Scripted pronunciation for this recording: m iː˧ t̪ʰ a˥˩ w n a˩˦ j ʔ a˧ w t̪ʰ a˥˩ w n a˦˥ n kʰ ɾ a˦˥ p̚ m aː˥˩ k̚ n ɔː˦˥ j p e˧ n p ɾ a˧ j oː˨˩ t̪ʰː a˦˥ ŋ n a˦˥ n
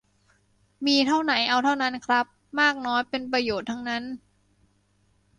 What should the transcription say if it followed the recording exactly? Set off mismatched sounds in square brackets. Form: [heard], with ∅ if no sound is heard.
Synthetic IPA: m iː˧ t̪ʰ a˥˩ w n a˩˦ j ʔ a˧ w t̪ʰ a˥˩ w n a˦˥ n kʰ ɾ a˦˥ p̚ m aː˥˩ k̚ n ɔː˦˥ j p e˧ n p ɾ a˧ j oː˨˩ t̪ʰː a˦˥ ŋ n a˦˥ n

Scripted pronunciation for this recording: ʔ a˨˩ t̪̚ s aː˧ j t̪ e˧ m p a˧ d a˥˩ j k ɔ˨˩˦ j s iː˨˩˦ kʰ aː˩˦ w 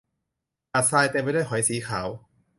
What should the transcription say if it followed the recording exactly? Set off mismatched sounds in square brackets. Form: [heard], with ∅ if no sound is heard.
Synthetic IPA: ʔ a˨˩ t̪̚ s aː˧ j t̪ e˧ m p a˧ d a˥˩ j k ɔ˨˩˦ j s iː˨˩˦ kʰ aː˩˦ w

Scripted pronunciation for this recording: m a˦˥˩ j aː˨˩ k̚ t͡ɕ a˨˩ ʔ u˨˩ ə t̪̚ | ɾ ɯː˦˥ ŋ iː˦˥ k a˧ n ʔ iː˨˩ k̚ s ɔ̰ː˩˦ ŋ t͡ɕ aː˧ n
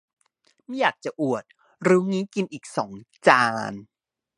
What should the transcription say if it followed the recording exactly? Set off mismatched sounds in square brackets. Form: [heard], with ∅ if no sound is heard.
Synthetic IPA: m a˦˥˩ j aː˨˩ k̚ t͡ɕ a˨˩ ʔ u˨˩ ə t̪̚ | ɾ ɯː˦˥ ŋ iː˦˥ k [i˧] n ʔ iː˨˩ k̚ s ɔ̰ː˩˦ ŋ t͡ɕ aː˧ n

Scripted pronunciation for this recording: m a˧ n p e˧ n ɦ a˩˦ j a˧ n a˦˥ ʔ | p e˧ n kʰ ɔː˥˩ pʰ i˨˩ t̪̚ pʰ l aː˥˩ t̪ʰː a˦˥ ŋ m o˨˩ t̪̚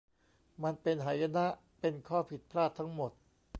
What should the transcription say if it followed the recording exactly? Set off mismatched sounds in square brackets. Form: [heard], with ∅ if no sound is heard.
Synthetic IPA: m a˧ n p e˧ n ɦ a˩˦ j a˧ n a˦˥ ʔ | p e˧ n kʰ ɔː˥˩ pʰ i˨˩ t̪̚ pʰ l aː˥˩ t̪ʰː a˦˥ ŋ m o˨˩ t̪̚

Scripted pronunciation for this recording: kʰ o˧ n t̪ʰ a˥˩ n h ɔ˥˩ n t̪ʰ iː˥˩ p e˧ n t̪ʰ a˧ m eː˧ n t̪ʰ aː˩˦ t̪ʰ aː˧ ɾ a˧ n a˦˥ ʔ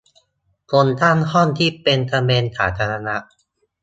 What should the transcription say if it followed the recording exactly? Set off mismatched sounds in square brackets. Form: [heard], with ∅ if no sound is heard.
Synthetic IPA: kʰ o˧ n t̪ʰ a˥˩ n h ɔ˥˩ n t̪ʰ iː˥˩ p e˧ n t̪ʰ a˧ m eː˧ n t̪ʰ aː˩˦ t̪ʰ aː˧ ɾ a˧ n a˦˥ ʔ

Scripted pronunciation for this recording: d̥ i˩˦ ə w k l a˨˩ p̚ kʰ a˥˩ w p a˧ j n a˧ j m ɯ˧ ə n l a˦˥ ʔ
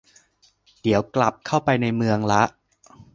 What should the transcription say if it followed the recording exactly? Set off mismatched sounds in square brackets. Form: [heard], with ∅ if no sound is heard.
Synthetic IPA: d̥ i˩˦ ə w k l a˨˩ p̚ kʰ a˥˩ w p a˧ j n a˧ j m ɯ˧ ə [ŋ] l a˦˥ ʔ

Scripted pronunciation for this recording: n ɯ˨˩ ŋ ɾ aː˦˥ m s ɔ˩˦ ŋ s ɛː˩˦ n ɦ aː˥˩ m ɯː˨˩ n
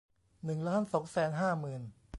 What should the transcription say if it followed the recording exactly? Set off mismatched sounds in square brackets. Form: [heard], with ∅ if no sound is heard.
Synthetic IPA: n ɯ˨˩ ŋ [l] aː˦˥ [n] s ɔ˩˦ ŋ s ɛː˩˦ n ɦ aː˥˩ m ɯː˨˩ n

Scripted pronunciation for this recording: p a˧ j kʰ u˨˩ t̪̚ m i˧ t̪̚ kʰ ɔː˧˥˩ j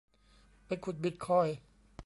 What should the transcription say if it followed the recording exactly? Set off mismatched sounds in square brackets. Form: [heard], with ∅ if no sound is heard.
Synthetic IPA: p a˧ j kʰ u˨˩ t̪̚ [b] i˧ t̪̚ kʰ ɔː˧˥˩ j

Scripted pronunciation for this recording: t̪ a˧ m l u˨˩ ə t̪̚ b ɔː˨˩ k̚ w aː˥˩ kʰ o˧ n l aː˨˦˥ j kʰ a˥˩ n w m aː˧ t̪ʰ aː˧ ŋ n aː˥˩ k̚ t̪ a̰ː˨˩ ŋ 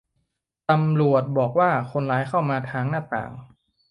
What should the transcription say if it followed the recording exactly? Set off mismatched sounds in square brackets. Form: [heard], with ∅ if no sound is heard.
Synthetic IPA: t̪ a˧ m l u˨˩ ə t̪̚ b ɔː˨˩ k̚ w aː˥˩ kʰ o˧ n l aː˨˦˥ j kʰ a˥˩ [∅] w m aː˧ t̪ʰ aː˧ ŋ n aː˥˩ [∅] t̪ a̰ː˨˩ ŋ

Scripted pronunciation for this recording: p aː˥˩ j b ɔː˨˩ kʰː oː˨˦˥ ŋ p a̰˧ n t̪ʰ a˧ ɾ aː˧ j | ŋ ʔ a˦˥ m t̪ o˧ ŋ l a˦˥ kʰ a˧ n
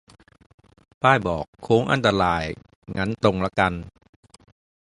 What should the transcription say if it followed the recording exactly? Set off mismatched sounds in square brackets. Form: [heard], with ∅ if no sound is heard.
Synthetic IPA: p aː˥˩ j b ɔː˨˩ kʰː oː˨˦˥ ŋ [ʔ] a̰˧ n [t̪] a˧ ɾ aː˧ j | ŋ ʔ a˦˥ [n] t̪ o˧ ŋ l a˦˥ [k] a˧ n

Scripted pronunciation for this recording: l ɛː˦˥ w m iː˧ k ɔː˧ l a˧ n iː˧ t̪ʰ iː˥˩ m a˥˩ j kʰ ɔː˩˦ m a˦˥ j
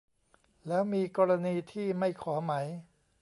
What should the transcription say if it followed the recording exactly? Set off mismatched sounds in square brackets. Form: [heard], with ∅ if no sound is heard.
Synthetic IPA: l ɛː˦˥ w m iː˧ k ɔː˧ [ɾ] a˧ n iː˧ t̪ʰ iː˥˩ m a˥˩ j kʰ ɔː˩˦ m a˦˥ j

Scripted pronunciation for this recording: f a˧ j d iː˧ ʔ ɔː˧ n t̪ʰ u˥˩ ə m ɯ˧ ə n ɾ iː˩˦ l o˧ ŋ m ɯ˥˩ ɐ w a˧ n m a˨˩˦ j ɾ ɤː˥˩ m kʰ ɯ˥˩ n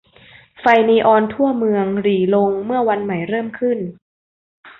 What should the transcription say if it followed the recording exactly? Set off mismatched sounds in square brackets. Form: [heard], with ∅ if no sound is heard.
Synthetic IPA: f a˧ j [n] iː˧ ʔ ɔː˧ n t̪ʰ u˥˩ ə m ɯ˧ ə [ŋ] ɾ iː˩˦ l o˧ ŋ m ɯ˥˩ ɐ w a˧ n m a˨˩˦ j ɾ ɤː˥˩ m kʰ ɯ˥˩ n

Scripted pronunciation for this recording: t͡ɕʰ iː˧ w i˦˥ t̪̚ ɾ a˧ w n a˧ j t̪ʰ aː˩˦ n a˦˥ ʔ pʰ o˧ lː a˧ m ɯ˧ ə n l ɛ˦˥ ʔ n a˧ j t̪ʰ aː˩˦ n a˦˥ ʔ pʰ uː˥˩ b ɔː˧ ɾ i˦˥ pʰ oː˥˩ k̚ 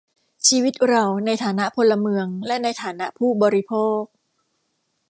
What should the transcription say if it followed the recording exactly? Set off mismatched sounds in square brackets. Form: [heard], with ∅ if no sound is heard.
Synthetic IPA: t͡ɕʰ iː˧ w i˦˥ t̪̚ ɾ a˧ w n a˧ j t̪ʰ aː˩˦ n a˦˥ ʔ pʰ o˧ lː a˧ m ɯ˧ ə [ŋ] l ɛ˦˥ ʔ n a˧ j t̪ʰ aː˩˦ n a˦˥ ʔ pʰ uː˥˩ b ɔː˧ ɾ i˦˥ pʰ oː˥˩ k̚

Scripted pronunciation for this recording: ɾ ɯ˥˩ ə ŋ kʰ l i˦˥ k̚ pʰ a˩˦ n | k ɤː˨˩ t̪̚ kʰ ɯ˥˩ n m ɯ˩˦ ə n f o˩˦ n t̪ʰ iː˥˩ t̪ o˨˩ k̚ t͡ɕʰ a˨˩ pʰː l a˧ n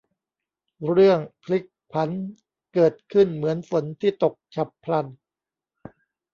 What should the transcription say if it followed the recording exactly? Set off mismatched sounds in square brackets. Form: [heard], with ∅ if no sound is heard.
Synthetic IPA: ɾ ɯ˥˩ ə ŋ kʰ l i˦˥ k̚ pʰ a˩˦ n | k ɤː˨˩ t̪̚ kʰ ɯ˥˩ n m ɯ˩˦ ə n f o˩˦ n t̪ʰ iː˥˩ t̪ o˨˩ k̚ t͡ɕʰ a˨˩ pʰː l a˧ n

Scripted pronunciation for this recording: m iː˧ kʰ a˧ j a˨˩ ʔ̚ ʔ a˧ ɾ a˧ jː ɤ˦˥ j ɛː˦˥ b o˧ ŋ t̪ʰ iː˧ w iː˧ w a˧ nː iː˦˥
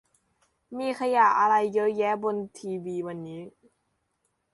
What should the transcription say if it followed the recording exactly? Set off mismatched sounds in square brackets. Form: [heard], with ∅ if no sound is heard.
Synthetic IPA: m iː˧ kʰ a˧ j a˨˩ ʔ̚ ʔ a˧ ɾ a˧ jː ɤ˦˥ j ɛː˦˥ b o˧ [n] t̪ʰ iː˧ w iː˧ w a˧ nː iː˦˥

